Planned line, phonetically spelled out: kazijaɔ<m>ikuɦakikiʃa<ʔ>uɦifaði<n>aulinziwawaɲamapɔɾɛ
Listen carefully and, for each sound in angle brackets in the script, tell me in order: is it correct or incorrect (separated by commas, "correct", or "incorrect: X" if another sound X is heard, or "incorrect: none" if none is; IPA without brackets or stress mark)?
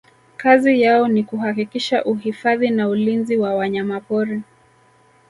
incorrect: n, correct, correct